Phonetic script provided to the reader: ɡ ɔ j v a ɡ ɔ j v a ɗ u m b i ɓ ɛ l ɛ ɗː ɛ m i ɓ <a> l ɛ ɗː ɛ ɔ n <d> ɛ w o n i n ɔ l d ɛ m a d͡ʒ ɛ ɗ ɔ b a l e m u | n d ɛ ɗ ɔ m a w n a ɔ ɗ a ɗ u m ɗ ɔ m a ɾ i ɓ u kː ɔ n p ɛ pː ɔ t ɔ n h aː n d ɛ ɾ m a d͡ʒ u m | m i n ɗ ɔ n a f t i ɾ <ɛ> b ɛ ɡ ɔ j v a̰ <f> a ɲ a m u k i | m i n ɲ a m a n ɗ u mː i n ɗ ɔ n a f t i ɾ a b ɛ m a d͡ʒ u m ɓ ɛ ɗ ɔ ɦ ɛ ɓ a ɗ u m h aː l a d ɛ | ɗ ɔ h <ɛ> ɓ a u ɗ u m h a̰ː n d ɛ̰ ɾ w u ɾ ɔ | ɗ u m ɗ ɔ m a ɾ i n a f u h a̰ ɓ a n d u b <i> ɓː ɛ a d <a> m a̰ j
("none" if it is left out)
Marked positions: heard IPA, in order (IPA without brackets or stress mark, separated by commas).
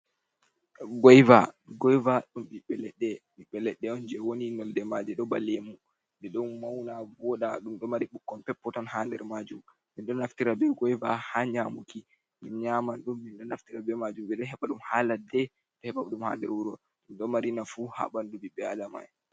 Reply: ɛ, d͡ʒ, a, h, ɛ, i, a